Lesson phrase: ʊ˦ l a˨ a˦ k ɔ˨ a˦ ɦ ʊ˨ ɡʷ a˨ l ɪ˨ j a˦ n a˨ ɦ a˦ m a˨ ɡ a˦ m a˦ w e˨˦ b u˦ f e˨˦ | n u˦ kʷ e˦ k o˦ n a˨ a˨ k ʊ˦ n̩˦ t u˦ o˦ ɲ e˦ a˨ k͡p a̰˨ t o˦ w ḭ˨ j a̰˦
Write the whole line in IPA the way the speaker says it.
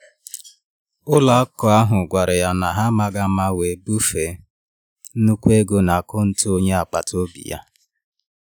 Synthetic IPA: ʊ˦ l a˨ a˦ k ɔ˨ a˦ ɦ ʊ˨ ɡʷ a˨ ɾ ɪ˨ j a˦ n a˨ ɦ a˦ m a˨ ɡ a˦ m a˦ w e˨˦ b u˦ f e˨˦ | n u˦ kʷ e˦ ɡ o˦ n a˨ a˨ k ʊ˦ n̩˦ t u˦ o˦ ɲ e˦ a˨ k͡p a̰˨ t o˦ b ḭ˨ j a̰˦